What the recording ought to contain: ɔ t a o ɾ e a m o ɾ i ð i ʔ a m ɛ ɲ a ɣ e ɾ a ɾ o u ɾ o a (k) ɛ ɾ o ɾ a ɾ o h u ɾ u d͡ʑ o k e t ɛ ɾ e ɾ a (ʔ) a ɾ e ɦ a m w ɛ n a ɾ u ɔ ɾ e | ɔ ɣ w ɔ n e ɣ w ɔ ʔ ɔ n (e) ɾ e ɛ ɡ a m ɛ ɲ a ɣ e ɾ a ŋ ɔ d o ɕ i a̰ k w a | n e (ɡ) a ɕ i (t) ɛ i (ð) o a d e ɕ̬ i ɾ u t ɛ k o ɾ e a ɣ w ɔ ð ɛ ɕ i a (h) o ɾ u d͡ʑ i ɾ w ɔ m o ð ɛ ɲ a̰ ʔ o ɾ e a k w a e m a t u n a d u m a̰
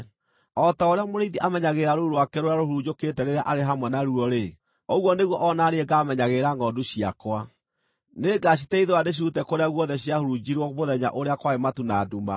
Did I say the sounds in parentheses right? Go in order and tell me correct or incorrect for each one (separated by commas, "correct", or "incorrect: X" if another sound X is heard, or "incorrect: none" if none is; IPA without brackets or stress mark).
correct, correct, incorrect: a, correct, correct, correct, correct